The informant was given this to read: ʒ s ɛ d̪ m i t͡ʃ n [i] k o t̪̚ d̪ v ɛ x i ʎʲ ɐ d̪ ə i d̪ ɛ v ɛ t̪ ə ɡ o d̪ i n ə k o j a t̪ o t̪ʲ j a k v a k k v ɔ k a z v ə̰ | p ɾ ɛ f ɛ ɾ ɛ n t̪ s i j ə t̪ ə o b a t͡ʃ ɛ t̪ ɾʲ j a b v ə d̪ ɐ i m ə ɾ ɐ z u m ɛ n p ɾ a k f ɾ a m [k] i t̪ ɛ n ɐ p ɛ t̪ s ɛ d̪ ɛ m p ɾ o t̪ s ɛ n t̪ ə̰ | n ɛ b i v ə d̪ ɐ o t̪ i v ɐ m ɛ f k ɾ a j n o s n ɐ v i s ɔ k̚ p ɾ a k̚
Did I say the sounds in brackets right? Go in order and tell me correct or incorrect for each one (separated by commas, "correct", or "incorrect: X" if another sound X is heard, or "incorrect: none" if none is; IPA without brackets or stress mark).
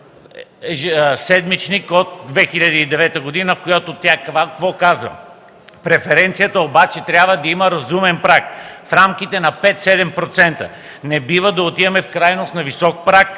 correct, correct